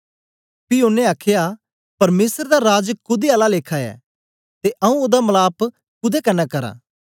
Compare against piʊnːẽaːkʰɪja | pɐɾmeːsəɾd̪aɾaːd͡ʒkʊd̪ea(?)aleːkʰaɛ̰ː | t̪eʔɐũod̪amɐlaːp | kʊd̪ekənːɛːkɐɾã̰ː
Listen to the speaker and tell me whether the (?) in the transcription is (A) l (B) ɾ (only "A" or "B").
A